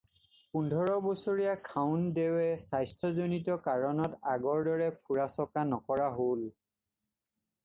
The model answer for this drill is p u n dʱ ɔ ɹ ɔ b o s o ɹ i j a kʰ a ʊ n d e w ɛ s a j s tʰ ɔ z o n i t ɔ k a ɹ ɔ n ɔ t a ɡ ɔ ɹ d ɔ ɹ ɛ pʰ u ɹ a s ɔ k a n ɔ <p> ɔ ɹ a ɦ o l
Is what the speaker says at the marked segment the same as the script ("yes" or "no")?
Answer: no